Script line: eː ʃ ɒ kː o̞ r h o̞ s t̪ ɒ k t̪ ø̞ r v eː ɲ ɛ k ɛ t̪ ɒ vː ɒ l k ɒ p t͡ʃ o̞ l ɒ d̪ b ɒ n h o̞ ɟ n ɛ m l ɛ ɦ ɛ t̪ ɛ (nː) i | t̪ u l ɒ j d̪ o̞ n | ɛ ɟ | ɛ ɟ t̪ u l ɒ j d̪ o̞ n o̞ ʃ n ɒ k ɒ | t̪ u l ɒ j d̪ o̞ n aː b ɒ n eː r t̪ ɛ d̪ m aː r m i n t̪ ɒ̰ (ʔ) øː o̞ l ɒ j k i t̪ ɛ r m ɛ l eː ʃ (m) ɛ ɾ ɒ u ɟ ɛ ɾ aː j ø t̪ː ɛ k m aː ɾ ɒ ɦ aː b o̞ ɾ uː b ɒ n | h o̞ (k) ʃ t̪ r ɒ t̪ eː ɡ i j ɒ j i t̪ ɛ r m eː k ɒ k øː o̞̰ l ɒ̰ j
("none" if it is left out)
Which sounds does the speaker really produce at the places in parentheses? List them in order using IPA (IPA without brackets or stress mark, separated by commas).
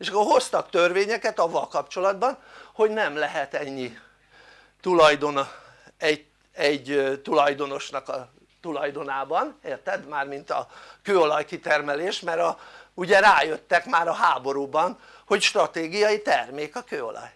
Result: ɲː, k, m, c